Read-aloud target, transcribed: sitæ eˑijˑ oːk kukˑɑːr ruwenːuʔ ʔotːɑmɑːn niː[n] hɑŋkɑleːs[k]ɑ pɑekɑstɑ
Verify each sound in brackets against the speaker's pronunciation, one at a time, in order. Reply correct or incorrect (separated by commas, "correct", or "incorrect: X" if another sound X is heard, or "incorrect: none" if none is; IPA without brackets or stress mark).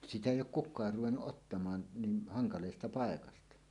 correct, incorrect: t